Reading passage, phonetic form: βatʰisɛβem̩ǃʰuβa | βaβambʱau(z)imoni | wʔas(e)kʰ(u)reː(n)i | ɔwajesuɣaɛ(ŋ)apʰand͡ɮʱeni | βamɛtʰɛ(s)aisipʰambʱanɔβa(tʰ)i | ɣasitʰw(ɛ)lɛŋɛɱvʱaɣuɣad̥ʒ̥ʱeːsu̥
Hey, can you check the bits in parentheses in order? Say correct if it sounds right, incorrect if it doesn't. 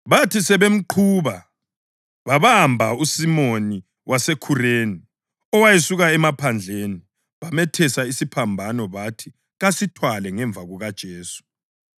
incorrect: s, correct, correct, correct, incorrect: m, correct, correct, incorrect: a

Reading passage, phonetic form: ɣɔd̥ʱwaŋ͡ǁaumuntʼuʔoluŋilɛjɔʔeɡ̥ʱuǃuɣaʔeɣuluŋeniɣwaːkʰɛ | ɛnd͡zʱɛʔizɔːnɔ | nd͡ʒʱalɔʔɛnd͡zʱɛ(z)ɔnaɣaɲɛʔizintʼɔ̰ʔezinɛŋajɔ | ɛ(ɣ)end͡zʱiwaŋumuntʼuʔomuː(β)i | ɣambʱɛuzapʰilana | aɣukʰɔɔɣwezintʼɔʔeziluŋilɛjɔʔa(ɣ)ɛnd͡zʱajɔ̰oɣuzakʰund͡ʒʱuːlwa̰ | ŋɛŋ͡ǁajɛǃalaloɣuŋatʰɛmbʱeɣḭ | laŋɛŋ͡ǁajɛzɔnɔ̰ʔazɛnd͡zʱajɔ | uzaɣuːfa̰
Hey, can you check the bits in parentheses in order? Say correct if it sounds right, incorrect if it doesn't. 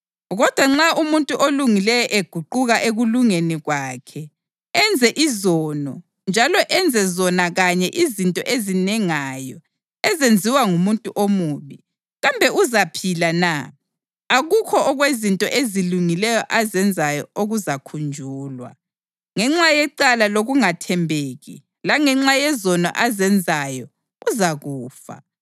correct, incorrect: z, correct, incorrect: z

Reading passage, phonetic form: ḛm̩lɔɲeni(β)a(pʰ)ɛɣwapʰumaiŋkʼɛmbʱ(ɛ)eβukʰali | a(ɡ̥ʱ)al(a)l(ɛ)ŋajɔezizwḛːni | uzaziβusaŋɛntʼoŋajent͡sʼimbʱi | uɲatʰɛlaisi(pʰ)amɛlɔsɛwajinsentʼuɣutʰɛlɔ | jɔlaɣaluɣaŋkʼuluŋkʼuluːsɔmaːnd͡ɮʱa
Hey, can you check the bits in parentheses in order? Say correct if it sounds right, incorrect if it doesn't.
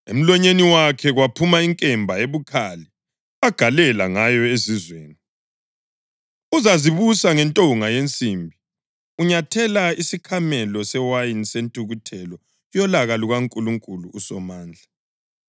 incorrect: w, incorrect: kʰ, incorrect: a, correct, incorrect: ɛ, incorrect: a, incorrect: kʰ

